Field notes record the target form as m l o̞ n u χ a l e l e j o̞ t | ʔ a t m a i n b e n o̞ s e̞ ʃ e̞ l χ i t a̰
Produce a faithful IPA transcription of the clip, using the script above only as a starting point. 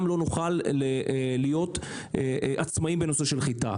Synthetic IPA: m l o̞ n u χ a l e l i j o̞ t | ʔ a t͡s m a i m b e n o̞ s e̞ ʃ e̞ l χ i t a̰